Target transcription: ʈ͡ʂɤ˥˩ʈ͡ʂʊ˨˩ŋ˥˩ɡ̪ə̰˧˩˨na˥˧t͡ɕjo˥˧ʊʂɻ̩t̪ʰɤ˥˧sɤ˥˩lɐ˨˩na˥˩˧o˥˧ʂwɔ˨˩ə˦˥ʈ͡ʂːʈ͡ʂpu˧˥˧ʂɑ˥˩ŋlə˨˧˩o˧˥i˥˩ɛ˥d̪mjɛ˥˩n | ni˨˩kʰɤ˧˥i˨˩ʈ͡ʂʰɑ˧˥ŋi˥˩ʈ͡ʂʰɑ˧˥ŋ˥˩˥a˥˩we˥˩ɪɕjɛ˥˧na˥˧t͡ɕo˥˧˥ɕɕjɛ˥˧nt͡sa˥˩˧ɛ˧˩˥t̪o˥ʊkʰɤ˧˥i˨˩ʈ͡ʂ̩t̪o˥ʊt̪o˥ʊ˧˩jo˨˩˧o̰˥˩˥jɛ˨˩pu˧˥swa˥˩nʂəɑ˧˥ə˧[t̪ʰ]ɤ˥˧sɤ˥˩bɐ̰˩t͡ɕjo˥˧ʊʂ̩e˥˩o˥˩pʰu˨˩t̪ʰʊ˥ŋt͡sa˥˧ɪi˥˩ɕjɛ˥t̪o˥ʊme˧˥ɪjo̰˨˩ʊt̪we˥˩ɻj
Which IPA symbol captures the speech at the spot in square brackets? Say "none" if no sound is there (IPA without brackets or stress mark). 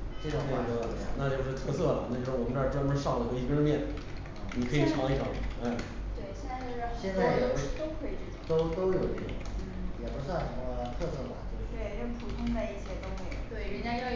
t̪ʰ